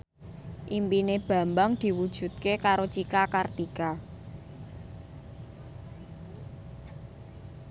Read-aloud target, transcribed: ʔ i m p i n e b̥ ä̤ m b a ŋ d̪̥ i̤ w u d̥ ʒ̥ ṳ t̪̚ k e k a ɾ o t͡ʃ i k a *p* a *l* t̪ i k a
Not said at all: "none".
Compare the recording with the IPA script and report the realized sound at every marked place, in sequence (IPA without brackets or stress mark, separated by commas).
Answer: k, r